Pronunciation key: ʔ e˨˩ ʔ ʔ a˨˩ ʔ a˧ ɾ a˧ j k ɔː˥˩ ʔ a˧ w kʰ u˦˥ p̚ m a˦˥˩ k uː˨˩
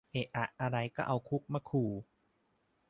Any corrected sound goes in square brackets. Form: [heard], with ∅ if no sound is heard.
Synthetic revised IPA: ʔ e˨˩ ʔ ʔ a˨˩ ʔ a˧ ɾ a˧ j k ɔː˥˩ ʔ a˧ w kʰ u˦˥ [k̚] m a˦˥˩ [kʰ] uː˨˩